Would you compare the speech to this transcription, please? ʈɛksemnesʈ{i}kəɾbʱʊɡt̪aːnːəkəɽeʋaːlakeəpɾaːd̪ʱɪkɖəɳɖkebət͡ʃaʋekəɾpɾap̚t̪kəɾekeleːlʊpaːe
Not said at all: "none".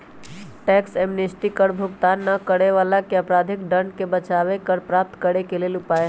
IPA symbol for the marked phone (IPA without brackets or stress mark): i